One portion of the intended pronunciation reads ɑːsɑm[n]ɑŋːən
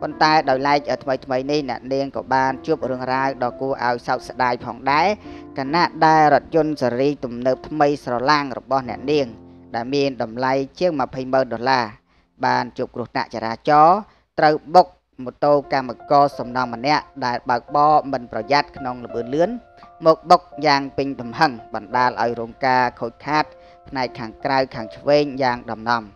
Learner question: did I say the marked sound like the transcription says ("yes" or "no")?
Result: yes